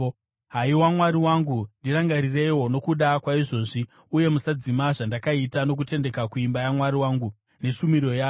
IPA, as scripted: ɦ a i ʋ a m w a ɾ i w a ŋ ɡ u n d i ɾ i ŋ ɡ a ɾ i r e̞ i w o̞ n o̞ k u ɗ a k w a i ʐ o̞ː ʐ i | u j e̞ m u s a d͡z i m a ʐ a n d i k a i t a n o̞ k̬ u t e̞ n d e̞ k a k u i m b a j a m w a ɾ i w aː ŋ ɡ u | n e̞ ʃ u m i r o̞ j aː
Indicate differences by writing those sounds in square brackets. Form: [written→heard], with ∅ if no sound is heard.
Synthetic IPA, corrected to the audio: ɦ a i [ʋ→w] a m w a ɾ i w a ŋ ɡ u n d i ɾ [i→a] ŋ ɡ a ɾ i r e̞ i w o̞ n o̞ k u ɗ a k w a i ʐ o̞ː ʐ i | u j e̞ m u s a d͡z i m a ʐ a n d [i→a] k a i t a n o̞ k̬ u t e̞ n d e̞ k a k u i m b a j a m w a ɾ i w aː ŋ ɡ u | n e̞ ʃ u m i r o̞ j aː